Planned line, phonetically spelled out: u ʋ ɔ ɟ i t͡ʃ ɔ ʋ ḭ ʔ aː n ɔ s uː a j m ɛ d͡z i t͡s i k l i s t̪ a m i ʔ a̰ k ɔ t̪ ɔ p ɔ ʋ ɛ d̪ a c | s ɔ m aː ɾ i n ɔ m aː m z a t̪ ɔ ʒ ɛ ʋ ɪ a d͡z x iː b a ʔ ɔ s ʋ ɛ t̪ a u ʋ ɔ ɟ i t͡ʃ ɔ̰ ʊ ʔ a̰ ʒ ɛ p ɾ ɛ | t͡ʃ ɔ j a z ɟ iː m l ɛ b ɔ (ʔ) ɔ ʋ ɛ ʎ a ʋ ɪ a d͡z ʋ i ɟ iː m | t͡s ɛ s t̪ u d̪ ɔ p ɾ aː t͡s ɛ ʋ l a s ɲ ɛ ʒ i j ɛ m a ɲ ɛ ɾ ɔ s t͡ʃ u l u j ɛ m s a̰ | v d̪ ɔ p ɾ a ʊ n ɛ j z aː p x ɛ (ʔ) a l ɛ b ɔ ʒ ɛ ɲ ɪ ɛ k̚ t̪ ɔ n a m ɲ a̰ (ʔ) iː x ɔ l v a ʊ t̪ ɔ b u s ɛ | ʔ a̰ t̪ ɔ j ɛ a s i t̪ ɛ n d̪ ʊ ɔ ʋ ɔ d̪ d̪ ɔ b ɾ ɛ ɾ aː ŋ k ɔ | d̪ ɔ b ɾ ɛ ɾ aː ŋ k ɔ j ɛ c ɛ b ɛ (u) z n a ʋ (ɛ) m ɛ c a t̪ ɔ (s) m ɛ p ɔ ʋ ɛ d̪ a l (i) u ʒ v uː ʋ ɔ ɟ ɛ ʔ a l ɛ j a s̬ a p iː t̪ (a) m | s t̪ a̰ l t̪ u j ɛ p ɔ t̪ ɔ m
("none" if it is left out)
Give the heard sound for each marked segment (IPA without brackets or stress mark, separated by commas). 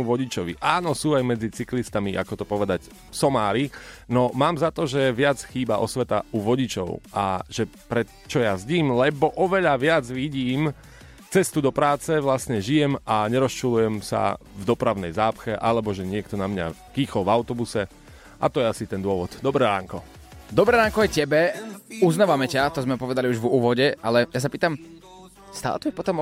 ʔ, ʔ, k, u, a, z, i, a